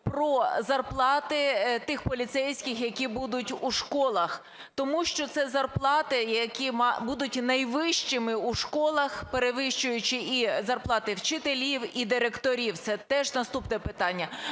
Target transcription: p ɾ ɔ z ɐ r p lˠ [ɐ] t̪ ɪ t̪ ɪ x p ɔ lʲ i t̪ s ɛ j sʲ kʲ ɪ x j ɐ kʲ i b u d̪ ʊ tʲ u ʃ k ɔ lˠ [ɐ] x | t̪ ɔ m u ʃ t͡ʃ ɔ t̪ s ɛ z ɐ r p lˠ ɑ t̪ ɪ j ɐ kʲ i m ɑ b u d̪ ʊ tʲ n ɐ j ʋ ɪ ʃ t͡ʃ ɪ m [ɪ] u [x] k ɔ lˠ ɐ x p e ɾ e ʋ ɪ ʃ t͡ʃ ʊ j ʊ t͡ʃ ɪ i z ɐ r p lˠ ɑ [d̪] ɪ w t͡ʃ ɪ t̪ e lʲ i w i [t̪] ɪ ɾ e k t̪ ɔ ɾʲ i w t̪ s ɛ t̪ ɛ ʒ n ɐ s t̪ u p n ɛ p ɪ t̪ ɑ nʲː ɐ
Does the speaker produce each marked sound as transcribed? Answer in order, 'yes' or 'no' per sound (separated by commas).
no, yes, yes, no, no, no